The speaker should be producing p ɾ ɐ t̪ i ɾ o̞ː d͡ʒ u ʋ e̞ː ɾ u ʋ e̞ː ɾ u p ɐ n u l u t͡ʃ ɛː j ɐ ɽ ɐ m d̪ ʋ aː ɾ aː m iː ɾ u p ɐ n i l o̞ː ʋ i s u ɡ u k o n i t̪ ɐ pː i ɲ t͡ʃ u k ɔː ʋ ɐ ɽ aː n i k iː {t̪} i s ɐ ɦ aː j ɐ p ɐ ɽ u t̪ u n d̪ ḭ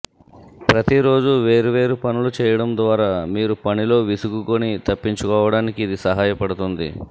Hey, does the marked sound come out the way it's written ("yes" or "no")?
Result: no